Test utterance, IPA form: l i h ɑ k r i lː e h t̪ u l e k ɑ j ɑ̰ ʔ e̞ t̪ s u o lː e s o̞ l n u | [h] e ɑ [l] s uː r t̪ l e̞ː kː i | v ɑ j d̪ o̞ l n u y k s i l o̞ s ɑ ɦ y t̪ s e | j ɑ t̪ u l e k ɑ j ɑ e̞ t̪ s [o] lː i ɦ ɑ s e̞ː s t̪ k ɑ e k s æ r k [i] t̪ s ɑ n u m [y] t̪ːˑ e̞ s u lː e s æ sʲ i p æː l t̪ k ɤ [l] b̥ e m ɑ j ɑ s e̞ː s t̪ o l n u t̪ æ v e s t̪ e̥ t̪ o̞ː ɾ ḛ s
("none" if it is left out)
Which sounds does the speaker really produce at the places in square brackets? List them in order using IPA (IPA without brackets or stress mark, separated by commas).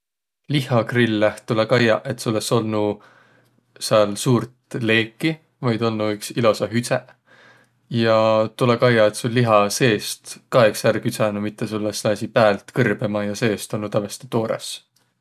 s, l, u, y, i, r